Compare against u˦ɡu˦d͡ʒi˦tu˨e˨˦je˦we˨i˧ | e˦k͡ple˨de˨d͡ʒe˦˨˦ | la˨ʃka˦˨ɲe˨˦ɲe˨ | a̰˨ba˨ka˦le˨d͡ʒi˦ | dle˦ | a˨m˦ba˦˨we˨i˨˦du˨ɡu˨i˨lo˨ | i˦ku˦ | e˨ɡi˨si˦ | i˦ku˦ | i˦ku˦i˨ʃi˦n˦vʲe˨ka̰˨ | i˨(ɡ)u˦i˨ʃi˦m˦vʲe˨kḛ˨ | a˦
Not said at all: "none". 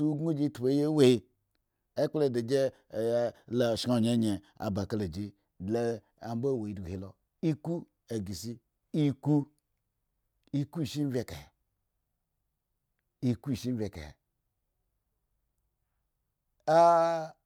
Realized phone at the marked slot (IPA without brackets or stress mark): k